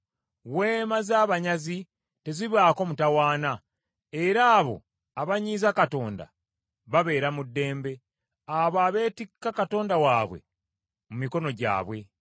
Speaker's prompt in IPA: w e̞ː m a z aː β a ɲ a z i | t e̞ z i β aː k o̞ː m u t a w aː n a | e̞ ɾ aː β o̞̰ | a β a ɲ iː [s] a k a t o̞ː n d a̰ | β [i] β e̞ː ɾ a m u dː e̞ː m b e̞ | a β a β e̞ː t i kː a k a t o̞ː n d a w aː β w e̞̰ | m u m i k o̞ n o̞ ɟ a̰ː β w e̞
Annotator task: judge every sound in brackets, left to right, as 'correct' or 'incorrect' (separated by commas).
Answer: incorrect, incorrect